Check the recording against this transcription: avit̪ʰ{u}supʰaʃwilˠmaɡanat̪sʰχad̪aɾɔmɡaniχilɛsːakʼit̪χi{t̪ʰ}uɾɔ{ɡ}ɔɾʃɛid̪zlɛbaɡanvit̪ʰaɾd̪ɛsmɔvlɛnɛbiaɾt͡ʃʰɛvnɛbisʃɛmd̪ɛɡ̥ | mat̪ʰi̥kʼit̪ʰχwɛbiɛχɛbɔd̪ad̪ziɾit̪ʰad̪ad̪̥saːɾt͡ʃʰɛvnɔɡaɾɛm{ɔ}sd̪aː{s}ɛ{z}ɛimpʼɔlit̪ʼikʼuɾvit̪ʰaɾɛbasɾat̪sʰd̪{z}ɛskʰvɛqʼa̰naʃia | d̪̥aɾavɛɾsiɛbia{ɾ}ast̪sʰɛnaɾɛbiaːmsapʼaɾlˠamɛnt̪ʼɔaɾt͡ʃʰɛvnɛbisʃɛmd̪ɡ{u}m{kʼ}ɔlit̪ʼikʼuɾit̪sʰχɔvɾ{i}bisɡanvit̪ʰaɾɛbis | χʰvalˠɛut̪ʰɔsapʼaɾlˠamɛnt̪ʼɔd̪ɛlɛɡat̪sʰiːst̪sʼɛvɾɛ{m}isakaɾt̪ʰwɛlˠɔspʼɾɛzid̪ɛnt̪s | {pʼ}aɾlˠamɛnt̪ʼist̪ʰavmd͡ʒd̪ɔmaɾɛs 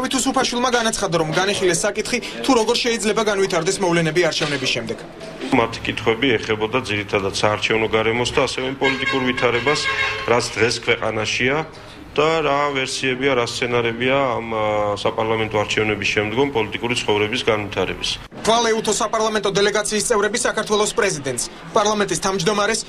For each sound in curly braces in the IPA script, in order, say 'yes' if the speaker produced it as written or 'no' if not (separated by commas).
yes, yes, yes, yes, yes, no, no, yes, no, no, no, no, yes